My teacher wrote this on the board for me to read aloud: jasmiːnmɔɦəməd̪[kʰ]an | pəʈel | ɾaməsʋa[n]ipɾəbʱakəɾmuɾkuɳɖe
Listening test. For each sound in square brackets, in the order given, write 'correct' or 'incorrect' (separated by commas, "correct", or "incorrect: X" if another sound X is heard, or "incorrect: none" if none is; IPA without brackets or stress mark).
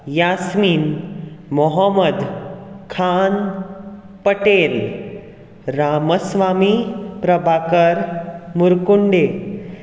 correct, incorrect: m